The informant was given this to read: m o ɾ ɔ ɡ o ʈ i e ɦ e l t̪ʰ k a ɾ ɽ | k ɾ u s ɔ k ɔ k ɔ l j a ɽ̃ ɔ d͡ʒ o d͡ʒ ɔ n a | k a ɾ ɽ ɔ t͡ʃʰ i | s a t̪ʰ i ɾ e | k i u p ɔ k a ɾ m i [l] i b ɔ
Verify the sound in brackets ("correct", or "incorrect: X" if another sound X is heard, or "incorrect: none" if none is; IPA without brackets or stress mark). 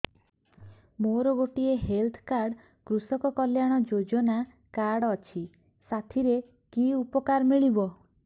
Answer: incorrect: ɭ